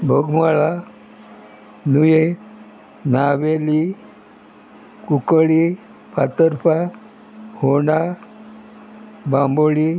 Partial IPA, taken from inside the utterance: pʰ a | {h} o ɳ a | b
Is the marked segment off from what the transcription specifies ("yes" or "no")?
no